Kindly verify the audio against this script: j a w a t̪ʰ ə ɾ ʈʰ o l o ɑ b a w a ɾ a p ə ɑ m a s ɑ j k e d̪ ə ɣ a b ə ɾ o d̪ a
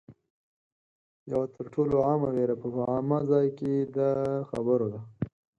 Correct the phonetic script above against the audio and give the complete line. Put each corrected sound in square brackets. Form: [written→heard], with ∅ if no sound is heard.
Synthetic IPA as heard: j a w a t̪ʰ ə ɾ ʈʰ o l o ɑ [b→m] a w [a→e] ɾ a p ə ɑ m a [s→z] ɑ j k e d̪ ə [ɣ→x] a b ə ɾ o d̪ a